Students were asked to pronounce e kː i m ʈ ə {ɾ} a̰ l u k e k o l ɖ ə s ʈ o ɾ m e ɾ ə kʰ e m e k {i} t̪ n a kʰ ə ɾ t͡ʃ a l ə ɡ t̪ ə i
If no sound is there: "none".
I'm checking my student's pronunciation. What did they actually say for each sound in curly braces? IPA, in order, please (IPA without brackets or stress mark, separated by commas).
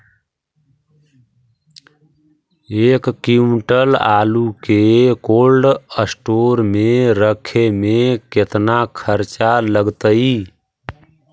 l, e